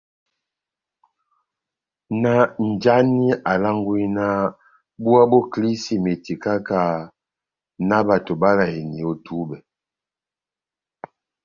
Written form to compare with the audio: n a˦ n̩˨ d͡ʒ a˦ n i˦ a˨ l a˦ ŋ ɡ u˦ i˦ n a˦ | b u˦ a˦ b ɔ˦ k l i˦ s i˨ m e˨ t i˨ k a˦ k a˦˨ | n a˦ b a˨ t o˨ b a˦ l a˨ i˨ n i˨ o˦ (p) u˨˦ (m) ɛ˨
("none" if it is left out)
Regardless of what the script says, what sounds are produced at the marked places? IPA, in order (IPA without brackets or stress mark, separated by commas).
t, b